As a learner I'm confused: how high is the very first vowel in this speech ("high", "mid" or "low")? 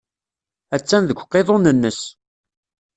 low